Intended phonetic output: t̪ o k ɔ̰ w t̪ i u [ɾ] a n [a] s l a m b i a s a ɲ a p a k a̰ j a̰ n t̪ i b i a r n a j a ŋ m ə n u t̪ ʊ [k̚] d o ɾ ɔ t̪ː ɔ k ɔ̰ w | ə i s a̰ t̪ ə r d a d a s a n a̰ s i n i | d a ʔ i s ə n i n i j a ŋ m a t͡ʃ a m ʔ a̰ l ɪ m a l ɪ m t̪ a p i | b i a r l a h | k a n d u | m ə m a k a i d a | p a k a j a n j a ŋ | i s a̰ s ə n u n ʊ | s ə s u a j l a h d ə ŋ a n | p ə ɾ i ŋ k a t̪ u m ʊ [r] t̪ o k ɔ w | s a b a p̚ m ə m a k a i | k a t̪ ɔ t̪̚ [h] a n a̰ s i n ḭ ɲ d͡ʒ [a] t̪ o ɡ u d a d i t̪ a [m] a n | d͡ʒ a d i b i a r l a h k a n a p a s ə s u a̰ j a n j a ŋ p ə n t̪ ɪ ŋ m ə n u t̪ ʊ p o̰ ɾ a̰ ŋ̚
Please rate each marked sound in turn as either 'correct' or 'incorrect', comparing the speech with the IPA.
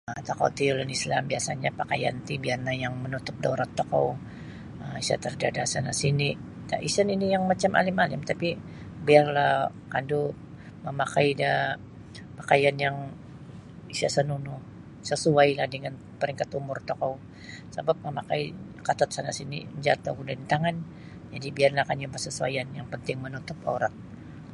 incorrect, incorrect, incorrect, correct, incorrect, correct, incorrect

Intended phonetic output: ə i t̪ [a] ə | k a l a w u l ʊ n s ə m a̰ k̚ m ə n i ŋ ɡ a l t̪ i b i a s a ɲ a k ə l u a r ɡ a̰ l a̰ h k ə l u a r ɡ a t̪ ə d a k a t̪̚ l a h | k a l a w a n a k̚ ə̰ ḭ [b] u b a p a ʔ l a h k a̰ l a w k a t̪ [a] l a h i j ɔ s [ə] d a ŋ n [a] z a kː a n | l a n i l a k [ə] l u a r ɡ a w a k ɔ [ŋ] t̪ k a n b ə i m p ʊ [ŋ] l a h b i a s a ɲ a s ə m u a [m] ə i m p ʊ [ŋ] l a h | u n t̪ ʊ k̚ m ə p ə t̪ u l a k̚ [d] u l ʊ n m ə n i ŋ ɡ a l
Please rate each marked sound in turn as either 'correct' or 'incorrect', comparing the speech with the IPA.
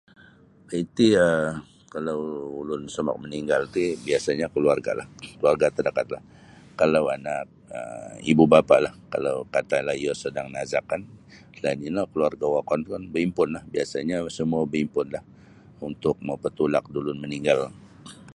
incorrect, correct, correct, correct, correct, correct, incorrect, incorrect, incorrect, incorrect, correct

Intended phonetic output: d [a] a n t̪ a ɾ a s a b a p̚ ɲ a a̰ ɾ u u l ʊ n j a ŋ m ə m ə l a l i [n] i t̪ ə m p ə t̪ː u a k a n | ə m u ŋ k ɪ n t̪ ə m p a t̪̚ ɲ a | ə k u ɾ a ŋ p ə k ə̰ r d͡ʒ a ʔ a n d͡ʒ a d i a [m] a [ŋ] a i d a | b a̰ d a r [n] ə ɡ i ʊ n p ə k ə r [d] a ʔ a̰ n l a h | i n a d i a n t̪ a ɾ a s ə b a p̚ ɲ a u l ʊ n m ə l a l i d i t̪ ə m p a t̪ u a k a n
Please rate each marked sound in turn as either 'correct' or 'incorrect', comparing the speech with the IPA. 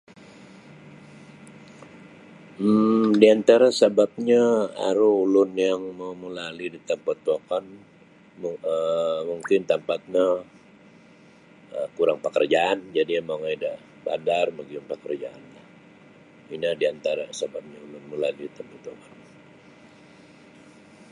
incorrect, incorrect, correct, correct, incorrect, incorrect

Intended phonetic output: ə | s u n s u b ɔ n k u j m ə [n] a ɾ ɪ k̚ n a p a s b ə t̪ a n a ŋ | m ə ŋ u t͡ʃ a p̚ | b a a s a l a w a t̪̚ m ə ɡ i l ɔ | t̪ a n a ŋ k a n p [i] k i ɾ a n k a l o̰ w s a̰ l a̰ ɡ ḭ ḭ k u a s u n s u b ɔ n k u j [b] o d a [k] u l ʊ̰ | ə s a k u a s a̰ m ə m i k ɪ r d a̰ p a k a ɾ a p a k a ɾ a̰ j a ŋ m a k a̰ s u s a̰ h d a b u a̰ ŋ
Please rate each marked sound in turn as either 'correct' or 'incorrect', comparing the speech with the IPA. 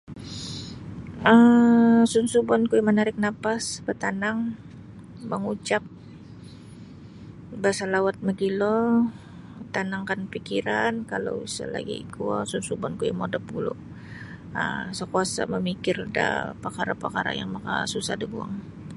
correct, correct, incorrect, incorrect

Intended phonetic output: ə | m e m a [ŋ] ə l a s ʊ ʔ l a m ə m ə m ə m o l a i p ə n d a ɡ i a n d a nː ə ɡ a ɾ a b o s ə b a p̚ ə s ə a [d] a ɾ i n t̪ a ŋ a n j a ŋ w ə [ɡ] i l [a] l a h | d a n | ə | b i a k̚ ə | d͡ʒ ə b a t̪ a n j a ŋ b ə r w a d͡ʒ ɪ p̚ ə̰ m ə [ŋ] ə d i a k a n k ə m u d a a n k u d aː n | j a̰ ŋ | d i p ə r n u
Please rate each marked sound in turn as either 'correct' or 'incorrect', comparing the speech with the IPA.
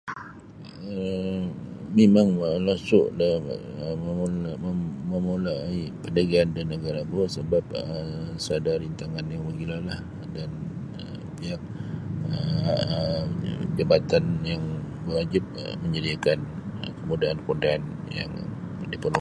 correct, correct, correct, correct, incorrect

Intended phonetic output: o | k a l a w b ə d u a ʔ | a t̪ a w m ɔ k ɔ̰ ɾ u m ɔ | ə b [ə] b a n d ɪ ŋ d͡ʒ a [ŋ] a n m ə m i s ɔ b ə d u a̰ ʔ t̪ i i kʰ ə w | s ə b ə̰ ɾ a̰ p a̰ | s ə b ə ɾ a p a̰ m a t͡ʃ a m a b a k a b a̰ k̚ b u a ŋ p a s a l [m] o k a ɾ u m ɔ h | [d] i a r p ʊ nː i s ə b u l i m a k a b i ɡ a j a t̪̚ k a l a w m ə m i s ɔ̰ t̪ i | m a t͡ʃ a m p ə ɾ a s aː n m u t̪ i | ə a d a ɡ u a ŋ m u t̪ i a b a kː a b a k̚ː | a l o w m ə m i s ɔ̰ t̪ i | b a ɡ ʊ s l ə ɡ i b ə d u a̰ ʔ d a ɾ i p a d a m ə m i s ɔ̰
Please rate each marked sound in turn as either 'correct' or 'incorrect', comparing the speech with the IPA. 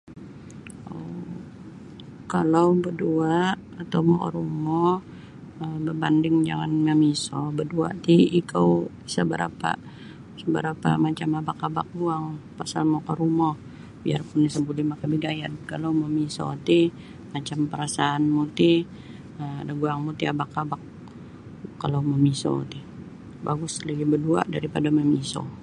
correct, correct, correct, incorrect

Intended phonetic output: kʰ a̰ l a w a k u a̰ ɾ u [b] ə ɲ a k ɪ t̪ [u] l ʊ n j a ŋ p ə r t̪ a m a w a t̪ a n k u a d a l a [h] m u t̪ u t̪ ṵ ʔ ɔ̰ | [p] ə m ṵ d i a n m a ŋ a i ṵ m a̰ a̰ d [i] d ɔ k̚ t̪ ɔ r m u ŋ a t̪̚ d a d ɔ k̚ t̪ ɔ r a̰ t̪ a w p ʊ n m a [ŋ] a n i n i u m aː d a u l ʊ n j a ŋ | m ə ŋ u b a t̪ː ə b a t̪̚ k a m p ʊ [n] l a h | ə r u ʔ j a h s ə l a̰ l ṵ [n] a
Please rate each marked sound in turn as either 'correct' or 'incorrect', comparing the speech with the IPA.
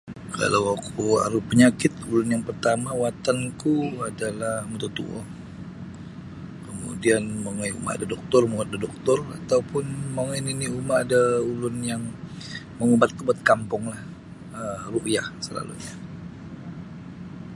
incorrect, correct, correct, incorrect, incorrect, correct, incorrect, incorrect

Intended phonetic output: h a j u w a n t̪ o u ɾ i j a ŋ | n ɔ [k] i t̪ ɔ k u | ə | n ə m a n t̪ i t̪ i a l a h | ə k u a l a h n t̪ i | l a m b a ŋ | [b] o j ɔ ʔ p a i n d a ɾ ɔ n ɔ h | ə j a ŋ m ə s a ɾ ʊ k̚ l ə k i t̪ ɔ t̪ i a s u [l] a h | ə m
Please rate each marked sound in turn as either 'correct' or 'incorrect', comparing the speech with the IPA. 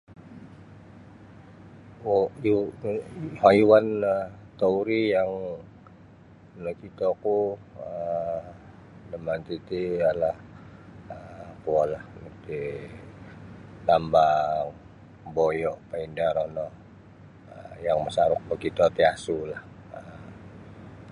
correct, correct, correct

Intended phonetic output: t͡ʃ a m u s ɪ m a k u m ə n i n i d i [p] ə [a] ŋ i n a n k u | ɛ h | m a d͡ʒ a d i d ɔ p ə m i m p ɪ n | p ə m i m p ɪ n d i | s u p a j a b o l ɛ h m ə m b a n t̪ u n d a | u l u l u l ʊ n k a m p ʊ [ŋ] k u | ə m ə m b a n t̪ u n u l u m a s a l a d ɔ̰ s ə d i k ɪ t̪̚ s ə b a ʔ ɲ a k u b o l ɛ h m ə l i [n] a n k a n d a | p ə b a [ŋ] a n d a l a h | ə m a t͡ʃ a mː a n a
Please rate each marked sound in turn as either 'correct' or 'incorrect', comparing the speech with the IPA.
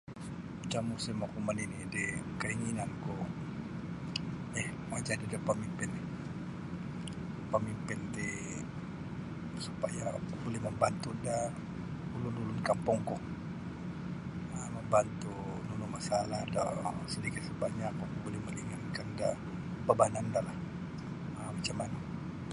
incorrect, incorrect, correct, incorrect, incorrect

